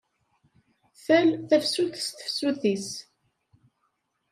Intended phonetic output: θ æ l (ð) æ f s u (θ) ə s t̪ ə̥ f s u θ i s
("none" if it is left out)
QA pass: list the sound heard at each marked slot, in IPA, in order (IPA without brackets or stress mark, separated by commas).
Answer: θ, θ